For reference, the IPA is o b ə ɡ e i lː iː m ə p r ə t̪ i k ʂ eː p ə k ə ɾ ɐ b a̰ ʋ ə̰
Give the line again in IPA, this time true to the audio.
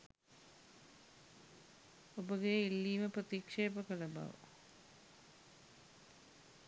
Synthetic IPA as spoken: o b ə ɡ e i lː iː m ə p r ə t̪ i k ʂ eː p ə k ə l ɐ b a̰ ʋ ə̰